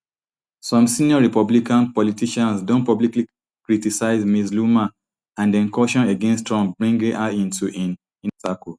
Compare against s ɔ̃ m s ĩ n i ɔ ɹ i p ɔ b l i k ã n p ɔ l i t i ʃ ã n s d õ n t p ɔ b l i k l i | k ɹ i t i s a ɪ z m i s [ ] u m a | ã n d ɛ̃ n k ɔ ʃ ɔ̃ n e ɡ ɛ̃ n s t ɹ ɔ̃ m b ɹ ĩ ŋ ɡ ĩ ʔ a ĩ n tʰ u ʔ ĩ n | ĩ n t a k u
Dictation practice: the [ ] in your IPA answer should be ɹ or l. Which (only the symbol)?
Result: l